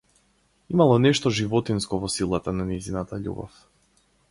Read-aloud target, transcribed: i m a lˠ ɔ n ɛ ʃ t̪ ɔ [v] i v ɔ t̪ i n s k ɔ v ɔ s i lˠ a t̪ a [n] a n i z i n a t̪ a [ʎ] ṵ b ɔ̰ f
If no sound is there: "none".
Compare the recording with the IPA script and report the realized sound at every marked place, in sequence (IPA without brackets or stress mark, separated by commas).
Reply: ʒ, n, ʎ